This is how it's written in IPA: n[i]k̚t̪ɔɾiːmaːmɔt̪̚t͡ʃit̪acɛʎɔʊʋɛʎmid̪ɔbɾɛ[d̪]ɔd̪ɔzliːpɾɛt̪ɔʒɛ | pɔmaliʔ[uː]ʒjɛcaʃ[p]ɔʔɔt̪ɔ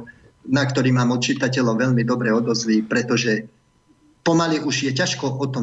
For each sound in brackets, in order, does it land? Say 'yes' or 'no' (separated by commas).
no, no, no, no